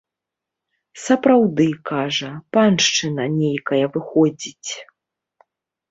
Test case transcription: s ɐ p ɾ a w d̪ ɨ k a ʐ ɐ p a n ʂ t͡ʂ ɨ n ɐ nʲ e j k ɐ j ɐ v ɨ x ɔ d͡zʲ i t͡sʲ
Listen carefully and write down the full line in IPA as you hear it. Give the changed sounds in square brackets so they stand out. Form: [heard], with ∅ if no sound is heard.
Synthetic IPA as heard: s ɐ p ɾ a w d̪ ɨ k a ʐ ɐ p a n ʂ t͡ʂ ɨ n ɐ nʲ e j k ɐ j ɐ v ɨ x ɔ d͡zʲ i t͡sʲ

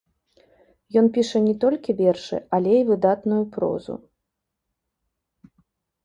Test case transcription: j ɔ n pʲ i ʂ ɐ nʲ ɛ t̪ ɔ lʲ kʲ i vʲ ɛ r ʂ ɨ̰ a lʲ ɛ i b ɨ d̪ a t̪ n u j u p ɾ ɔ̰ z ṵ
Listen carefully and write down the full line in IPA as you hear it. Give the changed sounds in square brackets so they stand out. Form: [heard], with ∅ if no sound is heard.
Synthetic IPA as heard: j ɔ n pʲ i ʂ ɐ nʲ ɛ t̪ ɔ lʲ kʲ i vʲ ɛ r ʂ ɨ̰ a lʲ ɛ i [v] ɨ d̪ a t̪ n u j u p ɾ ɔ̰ z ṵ

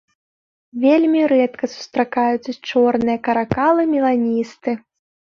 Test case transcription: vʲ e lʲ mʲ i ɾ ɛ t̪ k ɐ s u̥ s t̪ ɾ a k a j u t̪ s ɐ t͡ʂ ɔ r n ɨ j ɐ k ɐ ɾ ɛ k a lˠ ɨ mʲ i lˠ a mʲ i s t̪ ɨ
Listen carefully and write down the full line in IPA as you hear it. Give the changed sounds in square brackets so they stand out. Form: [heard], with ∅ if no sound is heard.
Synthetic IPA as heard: vʲ e lʲ mʲ i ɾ ɛ t̪ k ɐ s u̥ s t̪ ɾ a k a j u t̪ s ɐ t͡ʂ ɔ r n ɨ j ɐ k ɐ ɾ [a] k a lˠ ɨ mʲ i lˠ a [nʲ] i s t̪ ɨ

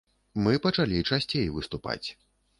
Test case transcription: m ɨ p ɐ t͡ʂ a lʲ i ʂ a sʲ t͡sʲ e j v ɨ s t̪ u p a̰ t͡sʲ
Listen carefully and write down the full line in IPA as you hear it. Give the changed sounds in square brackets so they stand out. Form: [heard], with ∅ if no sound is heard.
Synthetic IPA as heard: m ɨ p ɐ t͡ʂ a lʲ i [t͡ʂ] a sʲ t͡sʲ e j v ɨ s t̪ u p a̰ t͡sʲ

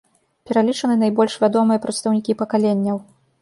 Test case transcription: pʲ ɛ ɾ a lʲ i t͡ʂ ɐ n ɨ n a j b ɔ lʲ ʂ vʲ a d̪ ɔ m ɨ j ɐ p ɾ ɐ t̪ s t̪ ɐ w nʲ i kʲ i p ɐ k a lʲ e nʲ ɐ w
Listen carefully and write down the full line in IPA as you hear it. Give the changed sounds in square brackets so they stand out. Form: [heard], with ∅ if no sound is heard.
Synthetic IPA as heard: pʲ ɛ ɾ a lʲ i t͡ʂ ɐ n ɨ n a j b ɔ lʲ ʂ vʲ a d̪ ɔ m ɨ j ɐ p ɾ ɐ t̪ s t̪ ɐ w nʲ i kʲ i p ɐ k a lʲ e [nʲː] ɐ w

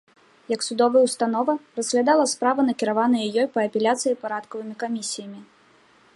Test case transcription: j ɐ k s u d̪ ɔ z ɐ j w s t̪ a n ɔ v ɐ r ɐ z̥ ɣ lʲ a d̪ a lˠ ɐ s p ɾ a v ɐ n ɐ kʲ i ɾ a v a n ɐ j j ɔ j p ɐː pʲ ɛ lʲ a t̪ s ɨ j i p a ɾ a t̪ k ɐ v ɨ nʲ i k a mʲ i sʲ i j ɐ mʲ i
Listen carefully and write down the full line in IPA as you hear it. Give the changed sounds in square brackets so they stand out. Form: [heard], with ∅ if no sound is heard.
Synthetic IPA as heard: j ɐ k s u d̪ ɔ [v] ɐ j w s t̪ a n ɔ v ɐ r ɐ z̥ ɣ lʲ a d̪ a lˠ ɐ s p ɾ a v ɐ n ɐ kʲ i ɾ a v a n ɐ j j ɔ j p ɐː pʲ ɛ lʲ a t̪ s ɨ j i p a ɾ a t̪ k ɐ v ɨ [mʲ] i k a mʲ i sʲ i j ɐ mʲ i

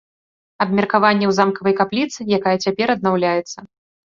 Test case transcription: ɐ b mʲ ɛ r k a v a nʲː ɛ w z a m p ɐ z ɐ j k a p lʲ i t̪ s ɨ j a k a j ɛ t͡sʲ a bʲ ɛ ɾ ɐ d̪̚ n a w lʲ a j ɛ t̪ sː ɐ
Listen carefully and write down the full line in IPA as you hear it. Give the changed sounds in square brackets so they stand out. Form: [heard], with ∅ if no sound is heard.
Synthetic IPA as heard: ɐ b mʲ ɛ r k a v a nʲː ɛ w z a m [k] ɐ [v] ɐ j k a p lʲ i t̪ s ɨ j a k a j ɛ t͡sʲ a [pʲ] ɛ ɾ ɐ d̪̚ n a w lʲ a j ɛ t̪ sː ɐ

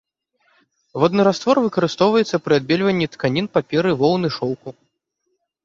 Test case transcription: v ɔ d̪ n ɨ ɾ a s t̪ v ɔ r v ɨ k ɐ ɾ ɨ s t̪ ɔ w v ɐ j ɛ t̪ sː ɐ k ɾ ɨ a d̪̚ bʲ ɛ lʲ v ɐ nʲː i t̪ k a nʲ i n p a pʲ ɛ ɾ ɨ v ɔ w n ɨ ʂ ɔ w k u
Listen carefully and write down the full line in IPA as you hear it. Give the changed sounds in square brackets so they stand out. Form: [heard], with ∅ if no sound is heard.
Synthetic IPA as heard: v ɔ d̪ n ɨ ɾ a s t̪ v ɔ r v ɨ k ɐ ɾ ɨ s t̪ ɔ w v ɐ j ɛ t̪ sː ɐ [p] ɾ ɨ a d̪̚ bʲ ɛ lʲ v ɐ nʲː i t̪ k a nʲ i n p a pʲ ɛ ɾ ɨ v ɔ w n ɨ ʂ ɔ w k u

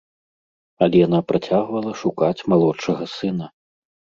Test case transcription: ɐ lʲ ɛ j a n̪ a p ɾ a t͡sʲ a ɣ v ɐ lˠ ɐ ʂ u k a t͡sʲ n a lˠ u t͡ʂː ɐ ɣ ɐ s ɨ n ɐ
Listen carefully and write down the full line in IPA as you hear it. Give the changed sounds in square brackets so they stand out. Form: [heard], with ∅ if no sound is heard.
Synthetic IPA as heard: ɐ lʲ ɛ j a n̪ a p ɾ a t͡sʲ a ɣ v ɐ lˠ ɐ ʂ u k a t͡sʲ [m] a lˠ [ɔ] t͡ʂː ɐ ɣ ɐ s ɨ n ɐ

